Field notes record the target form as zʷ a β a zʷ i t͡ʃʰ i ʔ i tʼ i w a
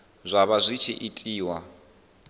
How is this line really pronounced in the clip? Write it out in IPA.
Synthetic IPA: zʷ a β a zʷ i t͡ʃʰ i ʔ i tʼ iː w a

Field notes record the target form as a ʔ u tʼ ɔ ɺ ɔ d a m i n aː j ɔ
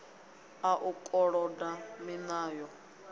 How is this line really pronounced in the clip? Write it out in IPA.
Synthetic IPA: a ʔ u kʼ ɔ ɺ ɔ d a m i n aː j ɔ

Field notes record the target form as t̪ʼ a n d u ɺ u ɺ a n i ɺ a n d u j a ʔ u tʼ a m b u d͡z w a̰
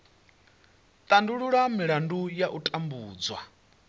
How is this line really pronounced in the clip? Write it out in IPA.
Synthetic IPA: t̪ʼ a n d u ɺ u ɺ a m i ɺ a n d u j a ʔ u tʼ a m b uː d͡z w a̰

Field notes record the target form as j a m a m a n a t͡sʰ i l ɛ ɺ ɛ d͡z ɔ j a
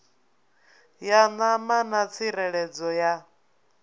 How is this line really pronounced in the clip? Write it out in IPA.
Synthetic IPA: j a n a m a n a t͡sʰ i ɾ ɛ ɺ ɛ d͡z ɔ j a

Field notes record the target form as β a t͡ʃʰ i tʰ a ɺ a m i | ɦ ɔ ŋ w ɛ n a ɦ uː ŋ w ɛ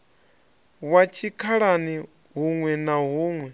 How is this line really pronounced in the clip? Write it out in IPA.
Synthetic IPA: w a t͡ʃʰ i kʰ a ɺ a n i | ɦ u ŋ w ɛ n a ɦ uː ŋ w ɛ

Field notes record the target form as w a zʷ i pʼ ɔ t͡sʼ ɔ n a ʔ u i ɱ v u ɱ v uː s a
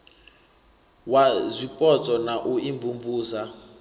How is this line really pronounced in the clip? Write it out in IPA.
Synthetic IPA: w a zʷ i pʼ ɔ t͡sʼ ɔ n a ʔ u i ɱ v u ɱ v uː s a

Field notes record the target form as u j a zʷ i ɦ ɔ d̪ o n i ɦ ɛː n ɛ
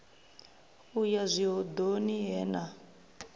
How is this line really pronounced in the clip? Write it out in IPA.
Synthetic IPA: u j a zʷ i ɦ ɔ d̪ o n i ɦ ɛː n a

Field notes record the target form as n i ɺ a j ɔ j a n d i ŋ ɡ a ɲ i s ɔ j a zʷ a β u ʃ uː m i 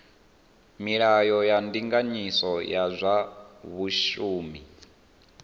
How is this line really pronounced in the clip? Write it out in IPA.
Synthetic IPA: m i ɺ a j ɔ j a n d i ŋ ɡ a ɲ i s ɔ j a zʷ a β u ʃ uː m i

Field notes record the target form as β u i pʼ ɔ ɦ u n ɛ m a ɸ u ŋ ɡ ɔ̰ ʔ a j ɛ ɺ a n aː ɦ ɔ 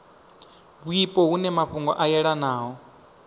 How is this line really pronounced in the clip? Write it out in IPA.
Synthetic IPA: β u i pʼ ɔ ɦ u n ɛ m a ɸ u ŋ ɡ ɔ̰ ʔ a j ɛ ɺ a n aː ɦ ɔ

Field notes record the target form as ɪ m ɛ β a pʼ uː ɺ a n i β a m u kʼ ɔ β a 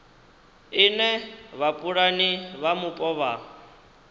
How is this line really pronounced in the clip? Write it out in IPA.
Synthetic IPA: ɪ n ɛ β a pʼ u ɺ a n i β a m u pʼ ɔ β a

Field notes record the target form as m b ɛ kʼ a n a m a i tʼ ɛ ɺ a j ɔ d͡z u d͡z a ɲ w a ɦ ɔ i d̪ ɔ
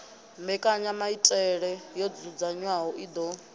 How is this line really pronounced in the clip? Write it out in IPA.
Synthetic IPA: m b ɛ kʼ a ɲ a m a i tʼ ɛ ɺ ɛ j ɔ d͡z u d͡z a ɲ w a ɦ ɔ i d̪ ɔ

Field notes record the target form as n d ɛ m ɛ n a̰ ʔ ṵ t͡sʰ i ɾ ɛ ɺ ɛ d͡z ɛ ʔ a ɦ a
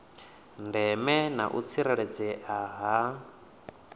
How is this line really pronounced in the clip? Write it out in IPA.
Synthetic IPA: n d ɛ m ɛ n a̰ ʔ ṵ t͡sʰ i ɾ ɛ ɺ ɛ d͡z ɛ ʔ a ɦ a

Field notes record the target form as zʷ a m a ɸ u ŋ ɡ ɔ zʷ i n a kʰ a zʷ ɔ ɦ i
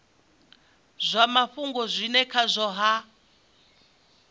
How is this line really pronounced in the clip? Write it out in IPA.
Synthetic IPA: zʷ a m a ɸ u ŋ ɡ ɔ zʷ i n ɛ kʰ a zʷ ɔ ɦ a

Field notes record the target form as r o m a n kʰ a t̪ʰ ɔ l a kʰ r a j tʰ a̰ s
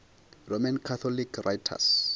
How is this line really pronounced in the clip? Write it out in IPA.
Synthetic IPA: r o m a n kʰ a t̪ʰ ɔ l i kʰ r a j tʰ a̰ s

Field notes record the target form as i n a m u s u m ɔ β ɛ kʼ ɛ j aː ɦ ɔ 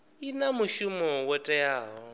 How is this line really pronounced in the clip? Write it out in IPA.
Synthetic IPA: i n a m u ʃ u m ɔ w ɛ tʼ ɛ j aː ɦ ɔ

